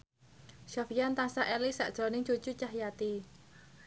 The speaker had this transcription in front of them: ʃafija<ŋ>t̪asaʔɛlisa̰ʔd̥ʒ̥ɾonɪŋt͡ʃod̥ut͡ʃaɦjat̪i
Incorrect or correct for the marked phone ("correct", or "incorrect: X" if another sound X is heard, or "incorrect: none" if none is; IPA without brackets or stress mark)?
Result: incorrect: n